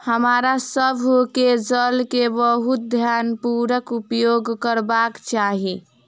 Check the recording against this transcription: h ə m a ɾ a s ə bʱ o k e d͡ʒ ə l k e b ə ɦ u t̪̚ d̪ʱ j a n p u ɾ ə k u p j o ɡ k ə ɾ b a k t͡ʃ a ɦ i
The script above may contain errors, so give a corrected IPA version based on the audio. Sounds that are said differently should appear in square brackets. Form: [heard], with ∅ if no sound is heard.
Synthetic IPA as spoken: h ə m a ɾ a s ə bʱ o k e d͡ʒ ə l k e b ə ɦ u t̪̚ d̪ʱ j a n p u ɾ ə k u p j o ɡ k ə ɾ b a k t͡ʃ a ɦ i